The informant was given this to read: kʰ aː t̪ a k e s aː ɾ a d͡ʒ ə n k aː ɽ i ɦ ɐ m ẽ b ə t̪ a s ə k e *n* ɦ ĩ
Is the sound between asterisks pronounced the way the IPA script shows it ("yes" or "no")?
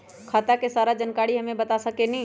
yes